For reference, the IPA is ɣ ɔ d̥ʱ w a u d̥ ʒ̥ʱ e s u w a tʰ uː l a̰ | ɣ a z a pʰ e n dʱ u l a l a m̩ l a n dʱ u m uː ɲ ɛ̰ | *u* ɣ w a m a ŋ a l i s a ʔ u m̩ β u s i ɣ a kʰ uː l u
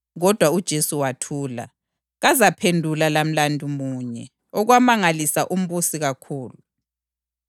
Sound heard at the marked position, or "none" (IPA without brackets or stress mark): ɔ